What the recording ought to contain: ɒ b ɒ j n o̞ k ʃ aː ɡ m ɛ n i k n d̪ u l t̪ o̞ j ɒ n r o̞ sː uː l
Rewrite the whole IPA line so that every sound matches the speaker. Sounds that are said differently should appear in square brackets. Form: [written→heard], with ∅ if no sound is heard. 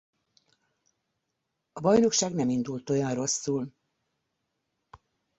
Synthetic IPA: ɒ b ɒ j n o̞ k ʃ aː ɡ [m→n] ɛ [n→m] i [k→∅] n d̪ u l t̪ o̞ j ɒ n r o̞ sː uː l